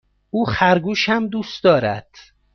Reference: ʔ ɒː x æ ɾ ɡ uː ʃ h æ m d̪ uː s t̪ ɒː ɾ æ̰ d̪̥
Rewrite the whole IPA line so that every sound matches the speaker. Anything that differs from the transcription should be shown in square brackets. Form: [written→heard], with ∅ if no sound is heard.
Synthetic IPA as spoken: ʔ [ɒː→uː] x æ ɾ ɡ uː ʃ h æ m d̪ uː s [t̪→d̪] ɒː ɾ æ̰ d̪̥